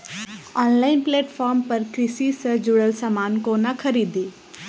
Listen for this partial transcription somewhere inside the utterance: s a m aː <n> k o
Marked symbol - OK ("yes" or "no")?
yes